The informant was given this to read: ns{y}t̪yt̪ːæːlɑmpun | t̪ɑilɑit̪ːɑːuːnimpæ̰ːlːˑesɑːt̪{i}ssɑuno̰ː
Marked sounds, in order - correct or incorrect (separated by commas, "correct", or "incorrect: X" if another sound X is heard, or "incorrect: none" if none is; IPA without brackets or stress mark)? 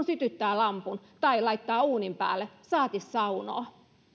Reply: correct, correct